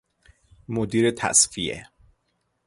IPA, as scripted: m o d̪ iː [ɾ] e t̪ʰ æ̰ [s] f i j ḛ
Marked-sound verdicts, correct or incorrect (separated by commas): correct, correct